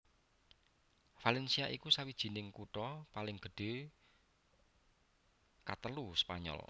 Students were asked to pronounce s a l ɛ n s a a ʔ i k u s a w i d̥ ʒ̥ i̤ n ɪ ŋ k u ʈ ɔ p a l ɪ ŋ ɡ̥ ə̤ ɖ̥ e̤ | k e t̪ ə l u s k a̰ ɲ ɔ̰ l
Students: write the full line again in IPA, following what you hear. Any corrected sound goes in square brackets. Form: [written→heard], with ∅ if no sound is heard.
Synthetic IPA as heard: [s→f] a l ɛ n s [a→i] a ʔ i k u s a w i d̥ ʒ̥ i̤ n ɪ ŋ k u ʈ ɔ p a l ɪ ŋ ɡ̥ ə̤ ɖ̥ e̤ | k [e→a] t̪ ə l u s [k→p] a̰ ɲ ɔ̰ l